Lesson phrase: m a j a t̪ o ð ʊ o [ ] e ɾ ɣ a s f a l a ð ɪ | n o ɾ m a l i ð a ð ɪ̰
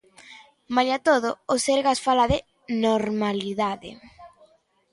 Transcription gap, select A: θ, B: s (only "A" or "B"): B